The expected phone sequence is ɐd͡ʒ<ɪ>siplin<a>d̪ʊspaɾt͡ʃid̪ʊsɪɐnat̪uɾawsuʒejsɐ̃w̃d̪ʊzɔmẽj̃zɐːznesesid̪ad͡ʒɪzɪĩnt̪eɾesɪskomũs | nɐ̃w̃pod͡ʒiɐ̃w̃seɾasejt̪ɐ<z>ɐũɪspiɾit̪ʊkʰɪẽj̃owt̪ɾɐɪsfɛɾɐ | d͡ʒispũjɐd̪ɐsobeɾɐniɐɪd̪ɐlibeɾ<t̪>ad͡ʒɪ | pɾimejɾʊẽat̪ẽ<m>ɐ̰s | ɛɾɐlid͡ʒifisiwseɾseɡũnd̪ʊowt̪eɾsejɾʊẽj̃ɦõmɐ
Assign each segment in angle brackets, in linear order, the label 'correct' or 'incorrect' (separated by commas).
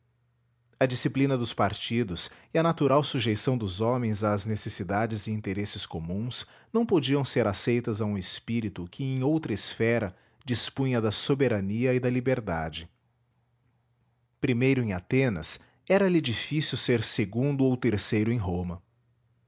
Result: incorrect, incorrect, correct, incorrect, incorrect